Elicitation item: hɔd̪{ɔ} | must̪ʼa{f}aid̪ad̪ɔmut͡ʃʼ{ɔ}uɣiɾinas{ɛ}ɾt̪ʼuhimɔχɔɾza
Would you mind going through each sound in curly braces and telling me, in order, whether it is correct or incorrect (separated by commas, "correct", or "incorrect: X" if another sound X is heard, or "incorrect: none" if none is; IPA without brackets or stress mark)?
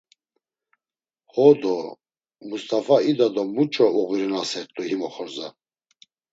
correct, correct, correct, correct